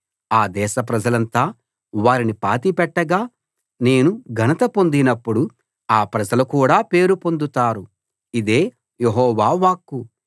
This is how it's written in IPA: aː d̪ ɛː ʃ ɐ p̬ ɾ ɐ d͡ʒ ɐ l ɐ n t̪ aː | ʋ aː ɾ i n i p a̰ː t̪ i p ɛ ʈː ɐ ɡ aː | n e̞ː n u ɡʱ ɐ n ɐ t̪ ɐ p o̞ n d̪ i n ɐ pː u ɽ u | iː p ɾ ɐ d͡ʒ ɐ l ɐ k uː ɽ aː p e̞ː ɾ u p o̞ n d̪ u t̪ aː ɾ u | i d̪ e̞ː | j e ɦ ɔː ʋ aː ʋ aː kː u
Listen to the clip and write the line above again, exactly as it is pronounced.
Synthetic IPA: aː d̪ ɛː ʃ ɐ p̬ ɾ ɐ d͡ʒ ɐ l ɐ n t̪ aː | ʋ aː ɾ i n i p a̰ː t̪ i p ɛ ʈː ɐ ɡ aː | n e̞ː n u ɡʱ ɐ n ɐ t̪ ɐ p o̞ n d̪ i n ɐ pː u ɽ u | aː p ɾ ɐ d͡ʒ ɐ l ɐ k uː ɽ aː p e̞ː ɾ u p o̞ n d̪ u t̪ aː ɾ u | i d̪ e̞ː | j e ɦ ɔː ʋ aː ʋ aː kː u